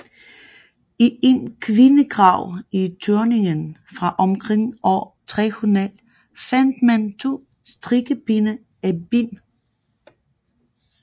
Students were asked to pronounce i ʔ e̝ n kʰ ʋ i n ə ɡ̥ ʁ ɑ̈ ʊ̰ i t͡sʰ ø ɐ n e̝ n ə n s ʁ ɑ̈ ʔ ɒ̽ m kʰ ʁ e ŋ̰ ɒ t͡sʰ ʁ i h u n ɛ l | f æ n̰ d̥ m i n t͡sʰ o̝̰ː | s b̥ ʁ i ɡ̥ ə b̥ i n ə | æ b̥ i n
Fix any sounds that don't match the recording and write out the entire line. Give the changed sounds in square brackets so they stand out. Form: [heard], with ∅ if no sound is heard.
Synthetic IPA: i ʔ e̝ n kʰ ʋ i n ə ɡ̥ ʁ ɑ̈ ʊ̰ i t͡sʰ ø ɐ n e̝ [ŋ] ə n [f] ʁ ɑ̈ ʔ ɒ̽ m kʰ ʁ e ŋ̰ ɒ t͡sʰ ʁ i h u n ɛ l | f æ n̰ d̥ m [æ] n t͡sʰ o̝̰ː | s [d̥] ʁ i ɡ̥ ə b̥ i n ə | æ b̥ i n